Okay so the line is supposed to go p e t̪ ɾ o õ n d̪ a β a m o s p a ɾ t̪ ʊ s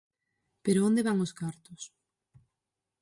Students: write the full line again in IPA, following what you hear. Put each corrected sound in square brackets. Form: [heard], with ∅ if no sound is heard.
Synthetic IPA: p e [∅] ɾ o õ n d̪ [e] β a [ŋ] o s [k] a ɾ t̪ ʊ s